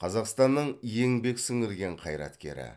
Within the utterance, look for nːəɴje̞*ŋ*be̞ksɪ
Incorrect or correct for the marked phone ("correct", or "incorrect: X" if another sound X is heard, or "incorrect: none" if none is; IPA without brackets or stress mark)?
correct